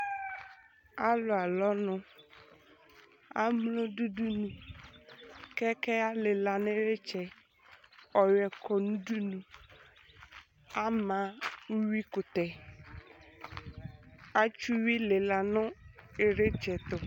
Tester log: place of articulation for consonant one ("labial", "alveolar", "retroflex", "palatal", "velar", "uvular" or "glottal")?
alveolar